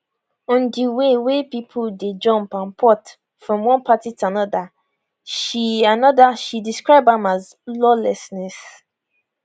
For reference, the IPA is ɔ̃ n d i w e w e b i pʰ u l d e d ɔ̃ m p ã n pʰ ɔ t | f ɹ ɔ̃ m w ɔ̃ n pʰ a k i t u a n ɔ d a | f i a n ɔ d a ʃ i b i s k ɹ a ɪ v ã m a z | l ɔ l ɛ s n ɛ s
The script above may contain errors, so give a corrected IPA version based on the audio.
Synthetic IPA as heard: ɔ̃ n d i w e w e p i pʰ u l d e d͡ʒ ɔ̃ m p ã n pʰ ɔ t | f ɹ ɔ̃ m w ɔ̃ n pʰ a t i t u a n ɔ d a | ʃ i a n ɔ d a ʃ i d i s k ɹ a ɪ b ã m a z | l ɔ l ɛ s n ɛ s

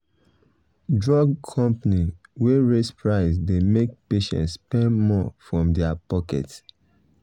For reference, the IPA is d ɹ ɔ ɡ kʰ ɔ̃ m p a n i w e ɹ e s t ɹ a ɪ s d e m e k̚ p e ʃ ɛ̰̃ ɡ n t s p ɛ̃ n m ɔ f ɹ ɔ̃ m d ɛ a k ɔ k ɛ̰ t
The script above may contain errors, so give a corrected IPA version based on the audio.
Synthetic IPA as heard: d ɹ ɔ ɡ kʰ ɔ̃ m p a n i w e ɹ e s p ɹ a ɪ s d e m e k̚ p e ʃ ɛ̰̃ n t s p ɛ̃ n m ɔ f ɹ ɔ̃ m d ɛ a p ɔ k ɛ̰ t

